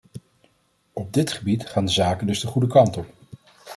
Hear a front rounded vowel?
no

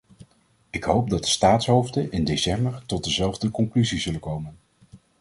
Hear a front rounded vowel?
yes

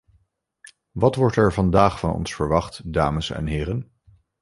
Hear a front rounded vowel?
no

